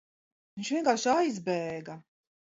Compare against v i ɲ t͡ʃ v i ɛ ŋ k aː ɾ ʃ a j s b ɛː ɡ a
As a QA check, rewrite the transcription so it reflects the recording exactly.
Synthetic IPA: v i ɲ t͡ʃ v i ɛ ŋ k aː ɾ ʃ a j z b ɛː ɡ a